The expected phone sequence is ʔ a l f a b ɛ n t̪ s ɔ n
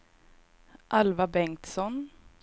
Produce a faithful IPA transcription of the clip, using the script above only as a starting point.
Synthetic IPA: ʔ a l v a b ɛ ŋ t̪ s ɔ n